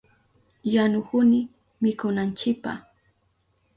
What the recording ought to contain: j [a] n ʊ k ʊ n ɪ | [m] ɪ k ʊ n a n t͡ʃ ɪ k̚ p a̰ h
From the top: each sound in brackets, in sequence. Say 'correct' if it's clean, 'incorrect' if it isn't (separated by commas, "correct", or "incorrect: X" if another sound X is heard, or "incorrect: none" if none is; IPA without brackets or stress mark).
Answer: correct, correct